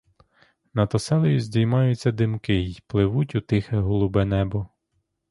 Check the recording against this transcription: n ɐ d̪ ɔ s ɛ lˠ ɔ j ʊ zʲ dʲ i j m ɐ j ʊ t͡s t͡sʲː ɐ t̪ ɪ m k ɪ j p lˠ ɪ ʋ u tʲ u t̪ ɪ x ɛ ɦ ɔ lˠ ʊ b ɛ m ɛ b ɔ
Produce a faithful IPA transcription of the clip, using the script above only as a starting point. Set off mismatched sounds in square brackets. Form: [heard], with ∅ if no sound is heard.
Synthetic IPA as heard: n ɐ [t̪] ɔ s ɛ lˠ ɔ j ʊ zʲ dʲ i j m [ɑ] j ʊ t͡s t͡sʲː ɐ [d̪] ɪ m k ɪ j p lˠ ɪ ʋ u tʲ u t̪ ɪ x ɛ ɦ ɔ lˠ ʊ b ɛ [n] ɛ b ɔ